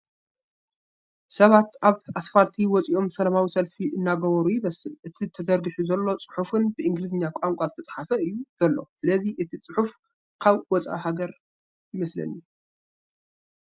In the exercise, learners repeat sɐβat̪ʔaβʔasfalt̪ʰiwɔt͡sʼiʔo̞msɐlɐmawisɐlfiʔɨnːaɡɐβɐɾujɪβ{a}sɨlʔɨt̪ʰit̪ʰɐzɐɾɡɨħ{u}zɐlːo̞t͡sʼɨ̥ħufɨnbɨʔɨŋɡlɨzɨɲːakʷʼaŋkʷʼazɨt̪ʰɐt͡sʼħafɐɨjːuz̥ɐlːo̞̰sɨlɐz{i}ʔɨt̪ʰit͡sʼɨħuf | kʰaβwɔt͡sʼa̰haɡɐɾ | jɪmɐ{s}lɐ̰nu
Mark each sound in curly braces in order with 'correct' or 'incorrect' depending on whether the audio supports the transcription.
incorrect: ɐ, correct, correct, correct

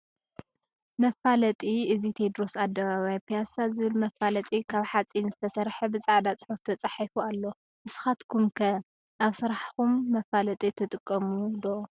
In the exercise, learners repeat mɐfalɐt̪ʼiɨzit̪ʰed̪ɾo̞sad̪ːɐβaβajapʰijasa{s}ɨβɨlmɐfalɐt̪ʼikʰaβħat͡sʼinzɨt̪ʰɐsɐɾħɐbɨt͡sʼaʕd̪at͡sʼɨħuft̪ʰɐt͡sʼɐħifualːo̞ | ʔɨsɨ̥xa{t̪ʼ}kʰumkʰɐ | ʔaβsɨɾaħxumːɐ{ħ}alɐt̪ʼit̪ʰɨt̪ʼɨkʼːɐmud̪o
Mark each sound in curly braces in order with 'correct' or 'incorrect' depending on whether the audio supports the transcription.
incorrect: z, incorrect: t̪, incorrect: f

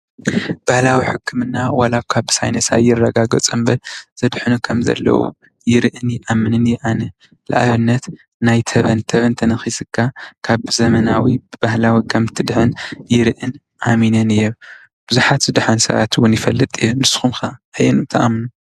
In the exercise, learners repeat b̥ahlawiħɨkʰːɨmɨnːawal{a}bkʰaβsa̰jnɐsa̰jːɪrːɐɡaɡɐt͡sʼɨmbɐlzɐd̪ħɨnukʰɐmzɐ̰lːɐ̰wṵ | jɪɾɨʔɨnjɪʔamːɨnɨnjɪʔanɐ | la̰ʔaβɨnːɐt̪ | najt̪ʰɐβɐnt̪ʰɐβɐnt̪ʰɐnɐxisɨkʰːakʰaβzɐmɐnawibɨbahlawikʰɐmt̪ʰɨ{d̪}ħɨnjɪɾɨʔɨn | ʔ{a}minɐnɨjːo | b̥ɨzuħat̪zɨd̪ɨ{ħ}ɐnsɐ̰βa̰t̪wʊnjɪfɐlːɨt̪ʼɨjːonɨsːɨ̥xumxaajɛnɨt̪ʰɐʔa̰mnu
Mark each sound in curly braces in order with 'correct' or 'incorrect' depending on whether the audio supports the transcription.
correct, correct, correct, correct

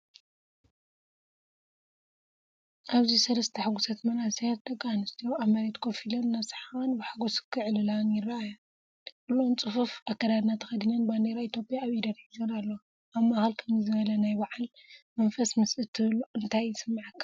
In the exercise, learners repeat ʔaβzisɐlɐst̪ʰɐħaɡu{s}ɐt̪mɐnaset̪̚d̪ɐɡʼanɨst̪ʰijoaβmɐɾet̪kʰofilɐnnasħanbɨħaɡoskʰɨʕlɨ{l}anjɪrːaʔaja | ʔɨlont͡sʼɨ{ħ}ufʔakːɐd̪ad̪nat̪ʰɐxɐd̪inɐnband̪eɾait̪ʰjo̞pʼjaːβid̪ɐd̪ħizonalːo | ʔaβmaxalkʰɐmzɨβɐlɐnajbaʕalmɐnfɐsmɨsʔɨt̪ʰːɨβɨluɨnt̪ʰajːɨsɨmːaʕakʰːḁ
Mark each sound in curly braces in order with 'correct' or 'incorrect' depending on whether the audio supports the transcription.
correct, correct, incorrect: f

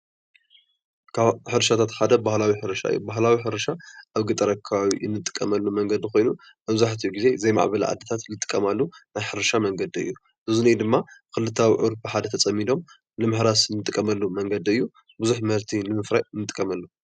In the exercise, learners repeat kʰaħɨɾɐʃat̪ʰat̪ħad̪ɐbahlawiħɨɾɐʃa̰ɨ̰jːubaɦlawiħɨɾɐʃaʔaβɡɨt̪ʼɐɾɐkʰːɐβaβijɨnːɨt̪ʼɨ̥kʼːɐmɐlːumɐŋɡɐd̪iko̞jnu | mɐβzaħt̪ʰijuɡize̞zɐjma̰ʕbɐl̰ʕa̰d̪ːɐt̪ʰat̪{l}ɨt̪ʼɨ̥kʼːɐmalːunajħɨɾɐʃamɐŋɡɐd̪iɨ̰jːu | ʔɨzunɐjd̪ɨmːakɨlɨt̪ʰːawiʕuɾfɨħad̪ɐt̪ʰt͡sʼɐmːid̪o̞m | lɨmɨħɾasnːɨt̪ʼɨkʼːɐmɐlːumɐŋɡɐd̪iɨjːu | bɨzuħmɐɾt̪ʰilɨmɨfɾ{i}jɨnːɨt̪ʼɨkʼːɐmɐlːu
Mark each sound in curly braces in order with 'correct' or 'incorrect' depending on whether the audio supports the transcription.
correct, incorrect: a

